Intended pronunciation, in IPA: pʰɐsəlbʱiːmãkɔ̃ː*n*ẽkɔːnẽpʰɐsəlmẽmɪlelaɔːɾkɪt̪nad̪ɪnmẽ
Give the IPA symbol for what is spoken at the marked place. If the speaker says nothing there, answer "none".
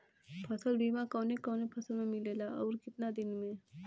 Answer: n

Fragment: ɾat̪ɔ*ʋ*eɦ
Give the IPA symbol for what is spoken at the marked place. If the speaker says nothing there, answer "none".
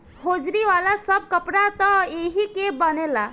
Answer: none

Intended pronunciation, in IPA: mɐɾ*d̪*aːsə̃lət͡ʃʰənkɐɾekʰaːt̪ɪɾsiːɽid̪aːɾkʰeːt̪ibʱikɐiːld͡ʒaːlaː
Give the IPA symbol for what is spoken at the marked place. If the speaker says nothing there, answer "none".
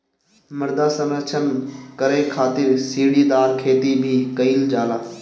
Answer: d̪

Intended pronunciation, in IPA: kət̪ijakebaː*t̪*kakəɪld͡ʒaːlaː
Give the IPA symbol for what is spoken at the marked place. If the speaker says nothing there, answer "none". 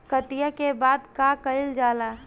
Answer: d̪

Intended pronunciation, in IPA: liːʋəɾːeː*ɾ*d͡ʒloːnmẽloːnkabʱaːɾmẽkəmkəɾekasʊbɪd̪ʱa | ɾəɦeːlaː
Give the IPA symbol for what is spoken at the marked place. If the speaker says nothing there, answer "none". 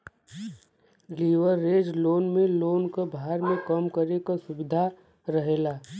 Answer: none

